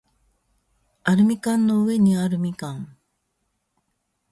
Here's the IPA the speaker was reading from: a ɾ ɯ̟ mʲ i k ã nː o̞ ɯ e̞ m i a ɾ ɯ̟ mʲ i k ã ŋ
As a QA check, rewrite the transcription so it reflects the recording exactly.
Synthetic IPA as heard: a ɾ ɯ̟ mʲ i k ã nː o̞ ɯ e̞ ɲ i a ɾ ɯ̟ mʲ i k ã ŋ